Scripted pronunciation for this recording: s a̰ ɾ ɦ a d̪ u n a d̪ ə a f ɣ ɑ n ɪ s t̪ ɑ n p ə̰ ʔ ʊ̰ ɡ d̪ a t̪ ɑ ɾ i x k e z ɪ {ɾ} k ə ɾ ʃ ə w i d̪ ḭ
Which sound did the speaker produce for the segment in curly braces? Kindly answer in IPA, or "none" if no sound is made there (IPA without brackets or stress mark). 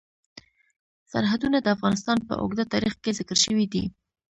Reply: none